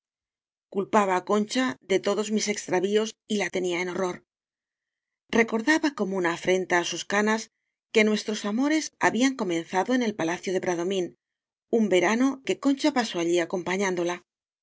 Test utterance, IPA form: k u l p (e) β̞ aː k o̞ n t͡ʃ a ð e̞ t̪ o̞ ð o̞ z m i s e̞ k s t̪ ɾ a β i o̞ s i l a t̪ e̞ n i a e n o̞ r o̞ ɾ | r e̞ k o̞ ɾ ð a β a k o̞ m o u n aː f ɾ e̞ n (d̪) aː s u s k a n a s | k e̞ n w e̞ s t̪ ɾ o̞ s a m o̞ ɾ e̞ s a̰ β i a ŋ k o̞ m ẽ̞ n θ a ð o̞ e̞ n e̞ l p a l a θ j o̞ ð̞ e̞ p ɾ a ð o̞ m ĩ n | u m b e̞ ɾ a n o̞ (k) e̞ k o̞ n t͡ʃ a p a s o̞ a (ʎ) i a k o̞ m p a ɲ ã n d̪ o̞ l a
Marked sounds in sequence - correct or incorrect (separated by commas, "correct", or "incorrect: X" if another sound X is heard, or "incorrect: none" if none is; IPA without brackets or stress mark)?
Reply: incorrect: a, incorrect: t̪, correct, correct